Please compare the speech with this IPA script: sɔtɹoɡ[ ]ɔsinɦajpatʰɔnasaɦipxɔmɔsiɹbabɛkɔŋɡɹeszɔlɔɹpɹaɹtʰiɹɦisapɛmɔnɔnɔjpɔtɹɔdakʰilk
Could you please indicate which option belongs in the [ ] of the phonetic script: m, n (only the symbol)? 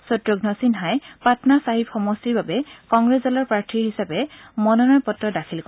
n